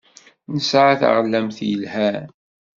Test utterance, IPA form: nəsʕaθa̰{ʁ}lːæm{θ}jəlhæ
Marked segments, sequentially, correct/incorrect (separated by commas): correct, correct